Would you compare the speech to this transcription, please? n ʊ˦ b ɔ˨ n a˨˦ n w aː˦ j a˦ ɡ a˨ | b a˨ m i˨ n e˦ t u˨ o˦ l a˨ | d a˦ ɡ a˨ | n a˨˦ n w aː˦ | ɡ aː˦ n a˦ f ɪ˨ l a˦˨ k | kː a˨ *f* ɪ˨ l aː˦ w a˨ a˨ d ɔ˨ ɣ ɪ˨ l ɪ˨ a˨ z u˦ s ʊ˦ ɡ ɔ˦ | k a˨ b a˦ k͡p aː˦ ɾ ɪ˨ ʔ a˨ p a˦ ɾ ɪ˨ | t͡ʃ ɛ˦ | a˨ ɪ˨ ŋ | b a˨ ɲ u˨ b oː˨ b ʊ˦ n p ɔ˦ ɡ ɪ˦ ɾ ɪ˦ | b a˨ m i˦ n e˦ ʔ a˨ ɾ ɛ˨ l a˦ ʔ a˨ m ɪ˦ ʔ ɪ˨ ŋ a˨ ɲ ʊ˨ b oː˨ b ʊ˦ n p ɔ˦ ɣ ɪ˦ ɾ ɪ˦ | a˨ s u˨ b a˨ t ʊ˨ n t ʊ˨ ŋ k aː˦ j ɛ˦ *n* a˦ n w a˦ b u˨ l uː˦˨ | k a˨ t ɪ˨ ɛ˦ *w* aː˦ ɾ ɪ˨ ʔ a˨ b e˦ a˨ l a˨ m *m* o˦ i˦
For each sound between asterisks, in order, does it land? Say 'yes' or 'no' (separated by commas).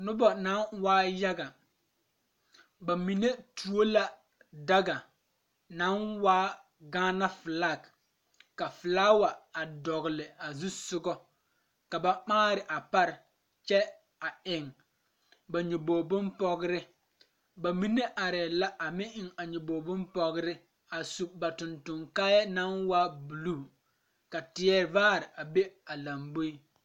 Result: yes, yes, no, no